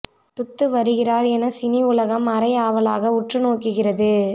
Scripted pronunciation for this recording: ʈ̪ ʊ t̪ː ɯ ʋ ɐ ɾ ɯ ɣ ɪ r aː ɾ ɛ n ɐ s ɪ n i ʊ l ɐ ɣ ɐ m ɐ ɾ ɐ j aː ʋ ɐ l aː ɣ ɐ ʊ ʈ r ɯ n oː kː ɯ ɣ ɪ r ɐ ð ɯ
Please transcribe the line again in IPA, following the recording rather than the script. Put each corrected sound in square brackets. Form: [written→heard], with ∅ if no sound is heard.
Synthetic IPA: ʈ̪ ʊ t̪ː ɯ ʋ ɐ ɾ ɯ ɣ ɪ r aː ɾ ɛ n ɐ s ɪ n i ʊ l ɐ ɣ ɐ m ɐ ɾ ɐ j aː ʋ ɐ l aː ɣ ɐ ʊ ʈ r ɯ n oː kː ɯ ɣ ɪ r ɐ ð ɯ